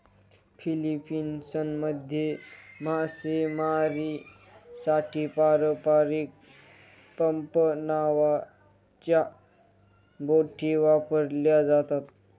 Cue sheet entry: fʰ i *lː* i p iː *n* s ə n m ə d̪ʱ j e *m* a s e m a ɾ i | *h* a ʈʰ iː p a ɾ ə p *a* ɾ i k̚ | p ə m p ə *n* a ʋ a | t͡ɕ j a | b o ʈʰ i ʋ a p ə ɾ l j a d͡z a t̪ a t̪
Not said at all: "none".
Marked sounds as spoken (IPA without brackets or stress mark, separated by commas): l, n, m, s, a, n